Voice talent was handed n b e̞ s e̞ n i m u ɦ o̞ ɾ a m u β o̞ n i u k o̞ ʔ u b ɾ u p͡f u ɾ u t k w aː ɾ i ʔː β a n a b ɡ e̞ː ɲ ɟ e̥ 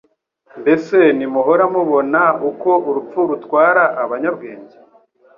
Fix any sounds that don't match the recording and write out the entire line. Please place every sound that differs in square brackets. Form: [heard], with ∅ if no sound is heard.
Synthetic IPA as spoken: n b e̞ s e̞ n i m u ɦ o̞ ɾ a m u β o̞ n [a] u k o̞ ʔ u [∅] ɾ u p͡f u ɾ u t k w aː ɾ [a] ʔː β a [ɲ] a b ɡ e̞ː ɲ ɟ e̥

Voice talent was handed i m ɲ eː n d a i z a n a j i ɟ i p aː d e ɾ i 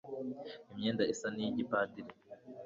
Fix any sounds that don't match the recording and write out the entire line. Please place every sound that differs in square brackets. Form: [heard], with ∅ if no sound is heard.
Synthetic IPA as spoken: i m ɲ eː n d a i [s] a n [i] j i ɟ i p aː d [i] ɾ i

